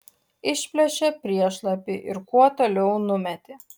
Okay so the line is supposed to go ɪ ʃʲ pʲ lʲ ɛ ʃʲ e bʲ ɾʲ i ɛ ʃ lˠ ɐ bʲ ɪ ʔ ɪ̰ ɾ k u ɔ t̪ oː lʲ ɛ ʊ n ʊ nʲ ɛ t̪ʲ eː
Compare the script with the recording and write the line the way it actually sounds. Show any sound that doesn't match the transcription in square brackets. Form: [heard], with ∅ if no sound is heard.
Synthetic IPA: ɪ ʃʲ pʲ lʲ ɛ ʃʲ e [pʲ] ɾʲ i ɛ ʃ lˠ ɐ [pʲ] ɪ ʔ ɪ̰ ɾ k u ɔ t̪ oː lʲ ɛ ʊ n ʊ [mʲ] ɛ t̪ʲ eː